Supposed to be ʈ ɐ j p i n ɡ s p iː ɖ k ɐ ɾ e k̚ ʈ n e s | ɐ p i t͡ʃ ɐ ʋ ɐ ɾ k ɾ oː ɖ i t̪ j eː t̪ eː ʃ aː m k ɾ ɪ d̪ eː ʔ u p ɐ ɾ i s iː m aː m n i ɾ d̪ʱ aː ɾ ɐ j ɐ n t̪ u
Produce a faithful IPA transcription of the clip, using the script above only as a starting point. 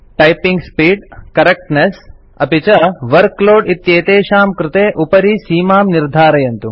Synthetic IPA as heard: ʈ ɐ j p i ŋ ɡ s p iː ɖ k ɐ ɾ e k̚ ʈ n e s | ɐ p i t͡ʃ ɐ ʋ ɐ ɾ k l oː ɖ i t̪ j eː t̪ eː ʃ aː m k ɾ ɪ t̪ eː ʔ u p ɐ ɾ i s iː m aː m n i ɾ d̪ʱ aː ɾ ɐ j ɐ n t̪ u